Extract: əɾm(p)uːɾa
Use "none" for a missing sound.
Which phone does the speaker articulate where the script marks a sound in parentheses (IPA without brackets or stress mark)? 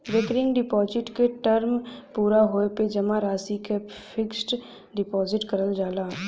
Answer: p